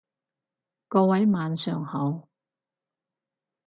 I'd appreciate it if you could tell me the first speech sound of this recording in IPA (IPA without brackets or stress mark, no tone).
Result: k